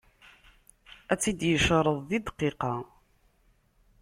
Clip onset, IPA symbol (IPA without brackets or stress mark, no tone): æ